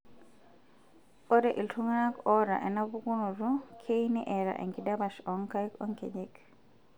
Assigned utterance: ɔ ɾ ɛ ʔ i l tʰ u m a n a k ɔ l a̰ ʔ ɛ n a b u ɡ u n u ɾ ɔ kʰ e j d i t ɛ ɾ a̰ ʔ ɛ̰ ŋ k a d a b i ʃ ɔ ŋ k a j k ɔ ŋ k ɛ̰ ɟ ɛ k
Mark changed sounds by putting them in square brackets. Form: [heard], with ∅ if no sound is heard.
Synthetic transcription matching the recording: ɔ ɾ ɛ ʔ i l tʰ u [ŋ] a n a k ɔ [ɾ] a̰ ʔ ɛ n a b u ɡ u n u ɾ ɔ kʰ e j [n] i [ʔ] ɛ ɾ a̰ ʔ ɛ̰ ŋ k [i] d a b [a] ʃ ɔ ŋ k a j k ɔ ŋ k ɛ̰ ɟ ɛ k